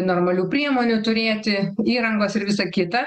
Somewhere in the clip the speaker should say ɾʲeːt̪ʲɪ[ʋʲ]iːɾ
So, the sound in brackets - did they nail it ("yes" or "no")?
no